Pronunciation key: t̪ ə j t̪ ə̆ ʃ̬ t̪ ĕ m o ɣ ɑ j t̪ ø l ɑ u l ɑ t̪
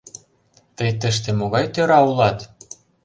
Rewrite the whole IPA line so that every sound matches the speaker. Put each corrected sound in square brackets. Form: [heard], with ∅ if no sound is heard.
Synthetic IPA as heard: t̪ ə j t̪ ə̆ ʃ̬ t̪ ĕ m o ɣ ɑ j t̪ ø [ɾ] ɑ u l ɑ t̪